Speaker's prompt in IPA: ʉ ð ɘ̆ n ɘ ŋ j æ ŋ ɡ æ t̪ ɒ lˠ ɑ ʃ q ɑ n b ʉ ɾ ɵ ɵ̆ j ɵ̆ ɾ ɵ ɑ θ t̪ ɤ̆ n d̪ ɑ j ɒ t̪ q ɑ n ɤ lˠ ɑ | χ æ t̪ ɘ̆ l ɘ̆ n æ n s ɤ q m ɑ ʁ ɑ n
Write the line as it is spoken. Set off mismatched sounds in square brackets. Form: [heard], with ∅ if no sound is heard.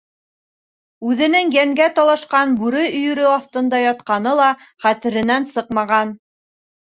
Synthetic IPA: ʉ ð ɘ̆ n ɘ ŋ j æ ŋ ɡ æ t̪ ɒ lˠ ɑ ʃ q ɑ n b ʉ ɾ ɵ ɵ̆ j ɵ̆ ɾ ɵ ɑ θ t̪ ɤ̆ n d̪ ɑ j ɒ t̪ q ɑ n ɤ lˠ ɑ | χ æ t̪ ɘ̆ [ɾ] ɘ̆ n æ n s ɤ q m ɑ ʁ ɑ n